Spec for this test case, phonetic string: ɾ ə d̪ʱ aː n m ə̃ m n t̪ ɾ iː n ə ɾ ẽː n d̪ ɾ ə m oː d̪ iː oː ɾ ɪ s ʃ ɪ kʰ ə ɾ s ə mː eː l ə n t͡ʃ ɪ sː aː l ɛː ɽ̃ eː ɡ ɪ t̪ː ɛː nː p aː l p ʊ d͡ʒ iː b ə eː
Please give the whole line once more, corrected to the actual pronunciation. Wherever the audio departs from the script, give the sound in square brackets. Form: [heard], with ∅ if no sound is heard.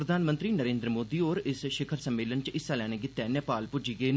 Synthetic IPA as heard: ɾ ə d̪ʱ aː n m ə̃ [∅] n t̪ ɾ iː n ə ɾ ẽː n d̪ ɾ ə m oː d̪ iː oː ɾ ɪ s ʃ ɪ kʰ ə ɾ s ə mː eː l ə n t͡ʃ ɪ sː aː l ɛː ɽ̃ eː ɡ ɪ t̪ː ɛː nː p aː l p ʊ d͡ʒ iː [ɡ] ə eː

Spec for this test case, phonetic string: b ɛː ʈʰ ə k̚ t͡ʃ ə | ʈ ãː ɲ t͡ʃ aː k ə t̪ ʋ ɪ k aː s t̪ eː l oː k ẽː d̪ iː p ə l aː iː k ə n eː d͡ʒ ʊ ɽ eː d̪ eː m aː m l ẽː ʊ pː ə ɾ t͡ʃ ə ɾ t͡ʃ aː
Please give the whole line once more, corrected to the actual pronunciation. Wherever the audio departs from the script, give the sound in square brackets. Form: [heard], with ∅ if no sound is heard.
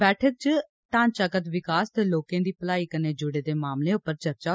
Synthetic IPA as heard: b ɛː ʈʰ ə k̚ t͡ʃ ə | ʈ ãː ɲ t͡ʃ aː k ə t̪ ʋ ɪ k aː s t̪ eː l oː k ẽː d̪ iː p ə l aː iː k ə n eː d͡ʒ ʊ ɽ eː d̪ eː m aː m l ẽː ʊ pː ə ɾ t͡ʃ ə ɾ t͡ʃ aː

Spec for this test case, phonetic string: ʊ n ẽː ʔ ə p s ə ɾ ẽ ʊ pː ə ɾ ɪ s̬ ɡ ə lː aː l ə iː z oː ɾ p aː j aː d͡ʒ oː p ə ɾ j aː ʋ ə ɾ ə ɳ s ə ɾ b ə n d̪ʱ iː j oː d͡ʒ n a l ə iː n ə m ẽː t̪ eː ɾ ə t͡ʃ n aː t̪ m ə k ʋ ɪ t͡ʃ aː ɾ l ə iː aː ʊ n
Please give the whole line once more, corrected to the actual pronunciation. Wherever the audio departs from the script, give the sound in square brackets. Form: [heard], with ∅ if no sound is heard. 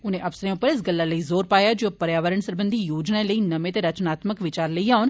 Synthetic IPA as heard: ʊ n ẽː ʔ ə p s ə ɾ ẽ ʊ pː ə ɾ ɪ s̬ ɡ ə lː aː l ə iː z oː ɾ p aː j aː d͡ʒ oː p ə ɾ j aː ʋ ə ɾ ə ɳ s ə ɾ b ə n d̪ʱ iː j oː d͡ʒ n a l ə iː n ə m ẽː t̪ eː ɾ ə t͡ʃ n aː t̪ m ə k ʋ ɪ t͡ʃ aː ɾ l ə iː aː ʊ n

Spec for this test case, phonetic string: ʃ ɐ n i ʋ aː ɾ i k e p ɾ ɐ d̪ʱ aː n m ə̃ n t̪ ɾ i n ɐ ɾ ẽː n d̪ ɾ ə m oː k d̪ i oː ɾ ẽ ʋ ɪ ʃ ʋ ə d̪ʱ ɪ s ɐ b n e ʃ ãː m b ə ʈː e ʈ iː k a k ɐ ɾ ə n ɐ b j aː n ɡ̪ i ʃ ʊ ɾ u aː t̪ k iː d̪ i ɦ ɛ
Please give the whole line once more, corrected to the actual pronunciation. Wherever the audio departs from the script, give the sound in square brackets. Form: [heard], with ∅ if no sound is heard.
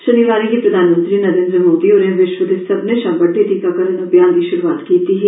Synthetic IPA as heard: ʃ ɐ n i ʋ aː ɾ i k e p ɾ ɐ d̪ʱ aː n m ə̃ n t̪ ɾ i n ɐ ɾ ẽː n d̪ ɾ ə m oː [∅] d̪ i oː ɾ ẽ ʋ ɪ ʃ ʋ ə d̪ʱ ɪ s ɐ b n e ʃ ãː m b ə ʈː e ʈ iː k a k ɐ ɾ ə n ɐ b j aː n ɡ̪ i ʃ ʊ ɾ u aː t̪ k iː [t̪] i ɦ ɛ

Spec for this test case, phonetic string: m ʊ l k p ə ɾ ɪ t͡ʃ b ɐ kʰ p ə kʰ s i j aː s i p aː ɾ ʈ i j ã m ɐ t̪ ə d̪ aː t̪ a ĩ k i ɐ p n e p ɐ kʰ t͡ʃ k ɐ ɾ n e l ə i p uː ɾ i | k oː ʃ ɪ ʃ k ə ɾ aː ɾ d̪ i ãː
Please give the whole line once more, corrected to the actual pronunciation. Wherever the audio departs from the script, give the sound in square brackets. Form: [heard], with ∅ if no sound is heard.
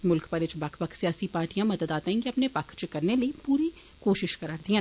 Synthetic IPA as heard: m ʊ l k p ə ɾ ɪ t͡ʃ b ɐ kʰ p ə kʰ s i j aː s i p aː ɾ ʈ i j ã m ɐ [d̪] ə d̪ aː t̪ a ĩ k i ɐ p n e p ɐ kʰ t͡ʃ k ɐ ɾ n e l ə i p uː ɾ i | k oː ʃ ɪ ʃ k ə ɾ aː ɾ d̪ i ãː

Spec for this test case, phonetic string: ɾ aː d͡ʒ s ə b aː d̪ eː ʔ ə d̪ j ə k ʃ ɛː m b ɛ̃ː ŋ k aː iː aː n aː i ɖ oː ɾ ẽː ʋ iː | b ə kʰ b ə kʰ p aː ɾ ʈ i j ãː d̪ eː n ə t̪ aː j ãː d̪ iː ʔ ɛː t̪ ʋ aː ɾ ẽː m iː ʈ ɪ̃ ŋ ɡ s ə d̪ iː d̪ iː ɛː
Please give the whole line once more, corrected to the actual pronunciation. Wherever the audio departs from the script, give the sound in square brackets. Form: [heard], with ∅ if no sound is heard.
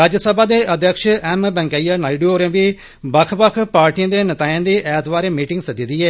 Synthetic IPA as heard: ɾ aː d͡ʒ s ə b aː d̪ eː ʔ ə d̪ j ə k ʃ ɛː m b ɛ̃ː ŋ k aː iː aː n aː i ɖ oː ɾ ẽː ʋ iː | b ə kʰ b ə kʰ p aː ɾ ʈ i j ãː d̪ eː n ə t̪ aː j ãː d̪ iː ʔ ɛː t̪ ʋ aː ɾ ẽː m iː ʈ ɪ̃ ŋ ɡ s ə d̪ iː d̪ iː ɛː

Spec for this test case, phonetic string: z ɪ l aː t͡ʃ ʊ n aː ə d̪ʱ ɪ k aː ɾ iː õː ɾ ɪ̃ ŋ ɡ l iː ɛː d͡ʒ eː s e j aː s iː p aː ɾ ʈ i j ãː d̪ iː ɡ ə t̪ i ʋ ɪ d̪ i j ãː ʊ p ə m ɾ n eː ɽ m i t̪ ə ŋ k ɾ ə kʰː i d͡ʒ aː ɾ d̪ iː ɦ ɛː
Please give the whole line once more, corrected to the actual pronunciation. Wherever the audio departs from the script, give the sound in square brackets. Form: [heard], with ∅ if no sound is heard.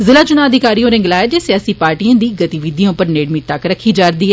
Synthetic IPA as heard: z ɪ l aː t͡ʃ ʊ n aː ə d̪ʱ ɪ k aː ɾ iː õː ɾ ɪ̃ ŋ ɡ l [aː] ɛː d͡ʒ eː s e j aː s iː p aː ɾ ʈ i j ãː d̪ iː ɡ ə t̪ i ʋ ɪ d̪ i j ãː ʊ p ə [∅] ɾ n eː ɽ m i t̪ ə [∅] k ɾ ə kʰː [iː] d͡ʒ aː ɾ d̪ iː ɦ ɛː

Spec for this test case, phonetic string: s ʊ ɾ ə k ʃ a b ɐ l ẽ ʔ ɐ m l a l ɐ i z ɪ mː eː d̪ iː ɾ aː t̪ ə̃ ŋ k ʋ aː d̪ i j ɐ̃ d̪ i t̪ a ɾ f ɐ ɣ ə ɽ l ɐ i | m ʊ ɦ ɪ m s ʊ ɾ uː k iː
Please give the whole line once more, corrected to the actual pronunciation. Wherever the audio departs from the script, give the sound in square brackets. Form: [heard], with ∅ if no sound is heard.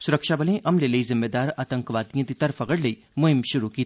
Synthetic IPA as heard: s ʊ ɾ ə k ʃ a b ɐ l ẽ ʔ ɐ m l [e] l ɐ i z ɪ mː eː d̪ [aː] ɾ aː t̪ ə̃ ŋ k ʋ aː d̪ i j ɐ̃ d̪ i t̪ [ɐ] ɾ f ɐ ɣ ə ɽ l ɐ i | m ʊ ɦ ɪ m [ʃ] ʊ ɾ [u] k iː

